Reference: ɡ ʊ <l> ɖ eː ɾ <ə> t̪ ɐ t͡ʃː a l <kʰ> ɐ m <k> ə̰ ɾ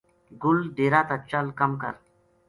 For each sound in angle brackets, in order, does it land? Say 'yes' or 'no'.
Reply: yes, no, no, yes

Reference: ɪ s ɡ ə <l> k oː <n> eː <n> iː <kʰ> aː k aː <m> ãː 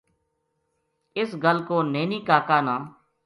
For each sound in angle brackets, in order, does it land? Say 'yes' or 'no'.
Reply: yes, yes, yes, no, no

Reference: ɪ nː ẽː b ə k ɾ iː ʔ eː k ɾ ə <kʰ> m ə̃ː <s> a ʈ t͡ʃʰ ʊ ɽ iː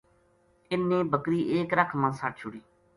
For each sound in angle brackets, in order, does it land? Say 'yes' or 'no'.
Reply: yes, yes

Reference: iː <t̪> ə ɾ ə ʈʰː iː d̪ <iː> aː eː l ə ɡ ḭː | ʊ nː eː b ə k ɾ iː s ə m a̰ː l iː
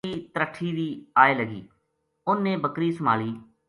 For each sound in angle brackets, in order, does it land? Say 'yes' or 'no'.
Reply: yes, yes

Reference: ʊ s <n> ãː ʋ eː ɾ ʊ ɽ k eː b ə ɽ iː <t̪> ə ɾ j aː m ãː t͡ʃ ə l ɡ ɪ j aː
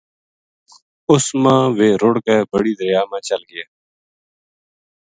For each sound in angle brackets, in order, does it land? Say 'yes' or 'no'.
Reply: no, no

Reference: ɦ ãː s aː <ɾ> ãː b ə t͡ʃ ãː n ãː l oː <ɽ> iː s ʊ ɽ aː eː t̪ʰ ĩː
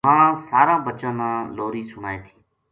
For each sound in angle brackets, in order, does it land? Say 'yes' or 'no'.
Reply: yes, no

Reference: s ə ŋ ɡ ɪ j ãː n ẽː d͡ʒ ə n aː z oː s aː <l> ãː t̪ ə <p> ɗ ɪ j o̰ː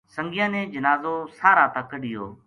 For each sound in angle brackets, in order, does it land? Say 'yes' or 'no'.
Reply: no, no

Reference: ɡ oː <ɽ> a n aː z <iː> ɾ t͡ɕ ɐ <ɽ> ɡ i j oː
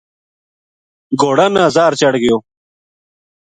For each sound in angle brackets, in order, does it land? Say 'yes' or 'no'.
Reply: yes, no, yes

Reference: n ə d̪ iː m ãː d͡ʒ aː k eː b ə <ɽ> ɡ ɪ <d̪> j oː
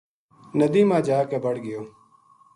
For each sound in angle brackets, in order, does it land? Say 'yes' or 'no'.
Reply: yes, no

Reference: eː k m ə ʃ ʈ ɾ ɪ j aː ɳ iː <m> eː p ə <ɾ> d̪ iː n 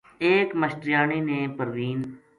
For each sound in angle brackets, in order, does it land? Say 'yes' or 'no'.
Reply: no, yes

